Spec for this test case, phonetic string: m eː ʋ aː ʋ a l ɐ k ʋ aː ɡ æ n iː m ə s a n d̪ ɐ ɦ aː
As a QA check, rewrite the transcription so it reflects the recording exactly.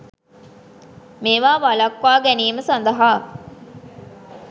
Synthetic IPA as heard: m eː ʋ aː ʋ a l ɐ k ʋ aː ɡ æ n iː m ə s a n d̪ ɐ ɦ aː